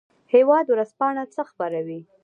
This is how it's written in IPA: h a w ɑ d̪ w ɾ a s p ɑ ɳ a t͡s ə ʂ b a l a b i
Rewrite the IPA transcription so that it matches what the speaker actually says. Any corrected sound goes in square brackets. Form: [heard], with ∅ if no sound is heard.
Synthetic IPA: h [e] w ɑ d̪ w ɾ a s p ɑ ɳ a t͡s ə [x] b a [ɾ] a [w] i